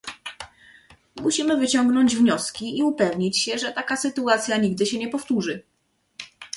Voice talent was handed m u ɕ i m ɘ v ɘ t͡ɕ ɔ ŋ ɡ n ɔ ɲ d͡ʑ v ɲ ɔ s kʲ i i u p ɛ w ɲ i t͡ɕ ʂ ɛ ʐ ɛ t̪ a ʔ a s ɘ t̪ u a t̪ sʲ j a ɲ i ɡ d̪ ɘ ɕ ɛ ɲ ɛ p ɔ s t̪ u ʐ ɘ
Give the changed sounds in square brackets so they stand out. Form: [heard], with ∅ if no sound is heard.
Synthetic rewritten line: m u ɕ i m ɘ v ɘ t͡ɕ ɔ ŋ ɡ n ɔ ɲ d͡ʑ v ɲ ɔ s kʲ i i u p ɛ [v] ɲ i t͡ɕ [ɕ] ɛ ʐ ɛ t̪ a [k] a s ɘ t̪ u a t̪ sʲ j a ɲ i ɡ d̪ ɘ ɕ ɛ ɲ ɛ p ɔ [f] t̪ u ʐ ɘ